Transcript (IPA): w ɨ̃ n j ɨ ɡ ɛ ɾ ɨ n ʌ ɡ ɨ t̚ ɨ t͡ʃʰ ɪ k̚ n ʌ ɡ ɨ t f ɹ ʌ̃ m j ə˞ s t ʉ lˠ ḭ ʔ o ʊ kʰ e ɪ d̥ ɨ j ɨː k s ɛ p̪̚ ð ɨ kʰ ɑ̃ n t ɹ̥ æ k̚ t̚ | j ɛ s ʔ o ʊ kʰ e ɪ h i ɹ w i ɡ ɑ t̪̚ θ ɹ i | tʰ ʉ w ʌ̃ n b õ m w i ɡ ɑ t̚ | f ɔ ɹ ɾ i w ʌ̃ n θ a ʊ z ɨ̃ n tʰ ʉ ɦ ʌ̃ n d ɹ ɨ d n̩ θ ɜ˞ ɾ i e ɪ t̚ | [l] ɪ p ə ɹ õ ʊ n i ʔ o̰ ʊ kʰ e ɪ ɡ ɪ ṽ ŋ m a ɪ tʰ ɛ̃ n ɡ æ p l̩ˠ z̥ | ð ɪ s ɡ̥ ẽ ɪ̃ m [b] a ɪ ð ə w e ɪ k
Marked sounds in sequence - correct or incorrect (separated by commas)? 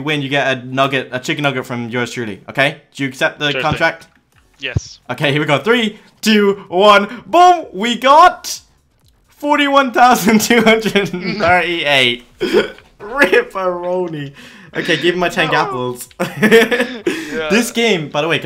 incorrect, correct